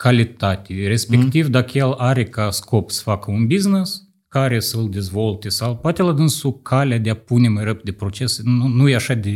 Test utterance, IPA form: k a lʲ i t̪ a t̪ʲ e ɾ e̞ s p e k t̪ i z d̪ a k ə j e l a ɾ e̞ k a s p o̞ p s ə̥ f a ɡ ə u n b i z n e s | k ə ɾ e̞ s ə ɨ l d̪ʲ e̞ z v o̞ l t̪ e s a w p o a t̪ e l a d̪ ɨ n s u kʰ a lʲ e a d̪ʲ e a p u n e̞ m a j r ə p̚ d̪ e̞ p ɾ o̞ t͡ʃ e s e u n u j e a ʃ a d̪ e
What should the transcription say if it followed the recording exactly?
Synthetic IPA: k a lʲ i t̪ a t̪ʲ e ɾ e̞ s p e k t̪ i v d̪ a k ə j e l a ɾ e̞ k a s k o̞ p s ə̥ f a k ə u n b i z n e s | k a ɾ e̞ s ə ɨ l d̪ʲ e̞ z v o̞ l t̪ e s a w p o a t̪ e l a d̪ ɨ n s u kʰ a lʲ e a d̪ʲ e a p u n e̞ m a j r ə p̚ d̪ e̞ p ɾ o̞ t͡ʃ e s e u n u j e a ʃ a d̪ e